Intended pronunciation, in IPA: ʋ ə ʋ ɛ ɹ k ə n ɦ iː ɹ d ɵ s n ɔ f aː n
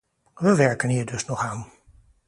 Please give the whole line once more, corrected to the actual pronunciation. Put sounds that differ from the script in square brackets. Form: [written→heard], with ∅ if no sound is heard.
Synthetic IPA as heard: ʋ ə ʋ ɛ ɹ k ə n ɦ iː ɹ d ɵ s n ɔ [f→χ] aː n